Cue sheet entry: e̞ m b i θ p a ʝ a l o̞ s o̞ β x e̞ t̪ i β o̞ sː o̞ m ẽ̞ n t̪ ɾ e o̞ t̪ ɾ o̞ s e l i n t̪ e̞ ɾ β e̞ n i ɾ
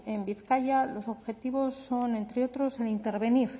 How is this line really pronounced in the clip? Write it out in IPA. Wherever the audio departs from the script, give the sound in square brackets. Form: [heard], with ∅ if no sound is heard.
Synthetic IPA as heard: e̞ m b i θ [k] a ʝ a l o̞ s o̞ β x e̞ t̪ i β o̞ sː o̞ [n] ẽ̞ n t̪ ɾ e o̞ t̪ ɾ o̞ s e l i n t̪ e̞ ɾ β e̞ n i ɾ